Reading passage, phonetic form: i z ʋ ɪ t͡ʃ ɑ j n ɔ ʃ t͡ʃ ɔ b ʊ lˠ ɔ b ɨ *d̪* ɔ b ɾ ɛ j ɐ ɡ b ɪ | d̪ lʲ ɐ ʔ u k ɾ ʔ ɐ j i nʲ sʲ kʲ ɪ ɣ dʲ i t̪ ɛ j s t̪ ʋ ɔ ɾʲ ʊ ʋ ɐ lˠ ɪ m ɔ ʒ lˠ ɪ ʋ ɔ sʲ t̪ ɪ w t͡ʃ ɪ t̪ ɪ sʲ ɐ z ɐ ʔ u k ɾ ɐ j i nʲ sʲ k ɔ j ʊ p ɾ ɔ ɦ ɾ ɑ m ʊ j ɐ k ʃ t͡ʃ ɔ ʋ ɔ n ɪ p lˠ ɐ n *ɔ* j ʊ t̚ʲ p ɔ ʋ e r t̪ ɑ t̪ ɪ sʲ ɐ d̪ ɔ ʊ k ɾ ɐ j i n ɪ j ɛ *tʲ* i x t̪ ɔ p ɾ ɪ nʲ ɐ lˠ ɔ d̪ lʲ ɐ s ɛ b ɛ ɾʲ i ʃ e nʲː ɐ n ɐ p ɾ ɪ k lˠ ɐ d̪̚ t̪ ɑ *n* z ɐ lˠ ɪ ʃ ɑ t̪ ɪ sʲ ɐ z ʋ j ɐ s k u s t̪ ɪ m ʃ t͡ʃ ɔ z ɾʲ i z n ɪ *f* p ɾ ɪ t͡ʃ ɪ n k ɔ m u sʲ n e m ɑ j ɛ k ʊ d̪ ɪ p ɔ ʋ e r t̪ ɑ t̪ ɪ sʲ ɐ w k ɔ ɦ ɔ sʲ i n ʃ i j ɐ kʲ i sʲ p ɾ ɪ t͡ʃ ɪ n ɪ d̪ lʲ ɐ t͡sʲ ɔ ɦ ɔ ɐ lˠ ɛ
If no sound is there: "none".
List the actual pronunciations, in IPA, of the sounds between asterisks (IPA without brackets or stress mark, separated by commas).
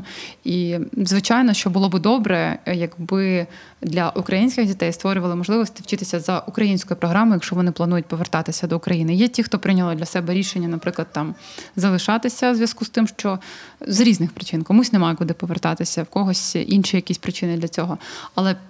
d̪, u, tʲ, m, x